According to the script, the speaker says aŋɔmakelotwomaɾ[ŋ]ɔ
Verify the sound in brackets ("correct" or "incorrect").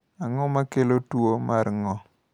correct